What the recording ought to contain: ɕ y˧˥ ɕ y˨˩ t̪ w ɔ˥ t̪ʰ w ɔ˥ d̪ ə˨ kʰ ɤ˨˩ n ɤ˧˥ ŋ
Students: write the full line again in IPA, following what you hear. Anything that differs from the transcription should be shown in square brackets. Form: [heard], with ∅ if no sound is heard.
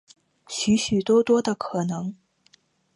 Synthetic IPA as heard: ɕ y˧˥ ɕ y˨˩ t̪ w ɔ˥ [t̪] w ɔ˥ d̪ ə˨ kʰ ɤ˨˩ n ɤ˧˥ ŋ